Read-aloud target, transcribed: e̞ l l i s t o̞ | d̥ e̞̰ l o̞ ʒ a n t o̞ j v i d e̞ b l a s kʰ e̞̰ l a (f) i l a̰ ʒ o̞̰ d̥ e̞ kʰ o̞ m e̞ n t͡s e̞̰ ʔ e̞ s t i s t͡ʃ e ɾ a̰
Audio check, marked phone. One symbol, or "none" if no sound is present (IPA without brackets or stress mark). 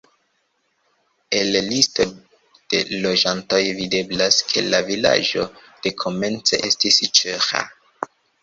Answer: v